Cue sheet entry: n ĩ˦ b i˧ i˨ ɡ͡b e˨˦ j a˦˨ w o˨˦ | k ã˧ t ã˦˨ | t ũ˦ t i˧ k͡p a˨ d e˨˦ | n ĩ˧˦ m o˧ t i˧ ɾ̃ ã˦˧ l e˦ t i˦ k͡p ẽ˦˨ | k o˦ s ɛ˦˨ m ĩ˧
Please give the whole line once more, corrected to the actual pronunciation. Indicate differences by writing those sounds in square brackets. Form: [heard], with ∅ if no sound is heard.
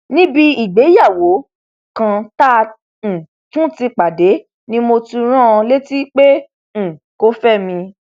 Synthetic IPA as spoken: n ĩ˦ b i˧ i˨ ɡ͡b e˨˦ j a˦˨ w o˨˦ | k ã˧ t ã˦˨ | t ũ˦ t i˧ k͡p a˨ d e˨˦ | n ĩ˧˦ m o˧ t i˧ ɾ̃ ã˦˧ l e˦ t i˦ k͡p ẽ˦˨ | k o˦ [f] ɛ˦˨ m ĩ˧